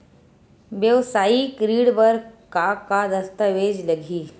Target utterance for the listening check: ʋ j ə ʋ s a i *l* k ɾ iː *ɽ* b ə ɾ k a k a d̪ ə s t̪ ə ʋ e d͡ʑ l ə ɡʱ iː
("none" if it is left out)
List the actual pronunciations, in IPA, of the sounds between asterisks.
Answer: none, ɽ

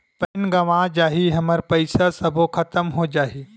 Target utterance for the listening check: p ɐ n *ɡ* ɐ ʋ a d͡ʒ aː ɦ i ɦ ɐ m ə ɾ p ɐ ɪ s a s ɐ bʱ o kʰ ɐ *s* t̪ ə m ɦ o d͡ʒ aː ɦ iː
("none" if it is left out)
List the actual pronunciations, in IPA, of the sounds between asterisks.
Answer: ɡ, none

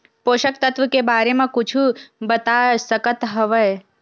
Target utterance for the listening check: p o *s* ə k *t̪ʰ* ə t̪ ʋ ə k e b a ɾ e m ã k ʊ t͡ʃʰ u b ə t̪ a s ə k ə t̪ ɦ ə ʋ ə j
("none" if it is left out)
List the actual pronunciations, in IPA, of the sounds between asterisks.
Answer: ʃ, t̪

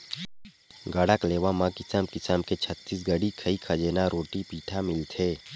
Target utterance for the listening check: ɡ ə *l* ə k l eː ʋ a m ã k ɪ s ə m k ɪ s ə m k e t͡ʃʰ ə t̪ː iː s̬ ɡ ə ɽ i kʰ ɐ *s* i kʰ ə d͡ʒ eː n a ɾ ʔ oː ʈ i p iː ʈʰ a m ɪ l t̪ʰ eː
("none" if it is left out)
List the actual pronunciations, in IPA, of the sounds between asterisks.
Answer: ɽ, none

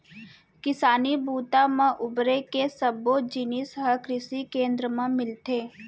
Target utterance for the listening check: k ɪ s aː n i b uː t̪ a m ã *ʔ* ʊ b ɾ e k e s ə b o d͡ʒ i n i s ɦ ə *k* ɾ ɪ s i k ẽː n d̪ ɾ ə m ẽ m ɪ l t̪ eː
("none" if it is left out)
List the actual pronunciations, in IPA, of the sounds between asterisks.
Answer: ʔ, k

